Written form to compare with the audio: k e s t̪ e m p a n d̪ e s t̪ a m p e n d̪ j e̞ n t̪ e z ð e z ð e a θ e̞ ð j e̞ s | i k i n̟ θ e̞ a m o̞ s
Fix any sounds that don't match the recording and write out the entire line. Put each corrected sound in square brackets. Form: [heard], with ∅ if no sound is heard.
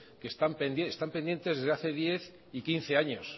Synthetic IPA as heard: k e s t̪ [a] m p [e] n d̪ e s t̪ a m p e n d̪ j e̞ n t̪ e z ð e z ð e a θ e̞ ð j e̞ [θ] | i k i n̟ θ e̞ a [ɲ] o̞ s